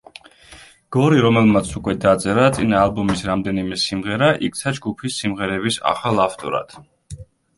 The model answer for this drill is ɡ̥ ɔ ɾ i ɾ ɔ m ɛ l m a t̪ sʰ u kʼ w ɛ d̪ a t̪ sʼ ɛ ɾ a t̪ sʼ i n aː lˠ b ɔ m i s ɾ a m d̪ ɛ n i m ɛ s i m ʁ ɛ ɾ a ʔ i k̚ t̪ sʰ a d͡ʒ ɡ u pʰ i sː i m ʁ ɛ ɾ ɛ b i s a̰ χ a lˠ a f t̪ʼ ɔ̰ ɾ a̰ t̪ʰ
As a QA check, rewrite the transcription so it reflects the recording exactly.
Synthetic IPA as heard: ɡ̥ ɔ ɾ i ɾ ɔ m ɛ l m a t̪ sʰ u kʼ w ɛ d̪ a t̪ sʼ ɛ ɾ a t̪ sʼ i n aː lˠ b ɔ m i s ɾ a m d̪ ɛ n i m ɛ s i m ʁ ɛ ɾ a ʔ i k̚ t̪ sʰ a d͡ʒ ɡ u pʰ i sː i m ʁ ɛ ɾ ɛ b i s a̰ χ a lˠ a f t̪ʼ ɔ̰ ɾ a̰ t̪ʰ